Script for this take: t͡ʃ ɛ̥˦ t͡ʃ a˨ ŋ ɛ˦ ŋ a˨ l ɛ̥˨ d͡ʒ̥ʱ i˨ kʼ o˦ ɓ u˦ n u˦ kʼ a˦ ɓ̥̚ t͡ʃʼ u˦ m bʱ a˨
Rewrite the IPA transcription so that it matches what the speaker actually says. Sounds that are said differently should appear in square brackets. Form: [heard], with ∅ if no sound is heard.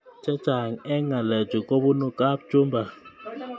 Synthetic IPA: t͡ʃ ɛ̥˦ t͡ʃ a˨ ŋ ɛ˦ ŋ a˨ l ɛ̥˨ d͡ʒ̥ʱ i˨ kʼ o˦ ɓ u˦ n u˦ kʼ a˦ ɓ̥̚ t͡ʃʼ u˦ m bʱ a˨